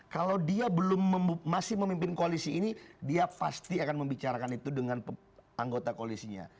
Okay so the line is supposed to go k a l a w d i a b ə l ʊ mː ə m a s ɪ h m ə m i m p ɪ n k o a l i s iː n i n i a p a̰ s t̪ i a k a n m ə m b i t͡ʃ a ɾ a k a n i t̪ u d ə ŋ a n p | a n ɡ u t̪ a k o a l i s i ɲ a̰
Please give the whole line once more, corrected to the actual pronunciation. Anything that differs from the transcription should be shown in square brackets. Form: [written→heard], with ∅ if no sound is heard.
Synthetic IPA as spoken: k a l a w d i a b ə l ʊ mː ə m a s ɪ h m ə m i m p ɪ n k o a l i s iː n i [n→d] i a p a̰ s t̪ i a k a n m ə m b i t͡ʃ a ɾ a k a n i t̪ u d ə ŋ a n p | a [n→ŋ] ɡ [u→o] t̪ a k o a l i s i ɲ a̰